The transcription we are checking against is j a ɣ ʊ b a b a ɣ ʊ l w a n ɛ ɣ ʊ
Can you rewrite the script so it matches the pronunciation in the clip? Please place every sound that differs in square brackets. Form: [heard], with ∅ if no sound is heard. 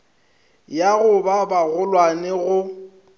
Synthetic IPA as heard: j a ɣ ʊ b a b a ɣ ʊ l w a n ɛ ɣ ʊ